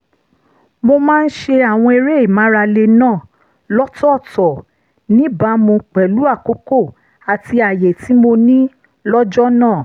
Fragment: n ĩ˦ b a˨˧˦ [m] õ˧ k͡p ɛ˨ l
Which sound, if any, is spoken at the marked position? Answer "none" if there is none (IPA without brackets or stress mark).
m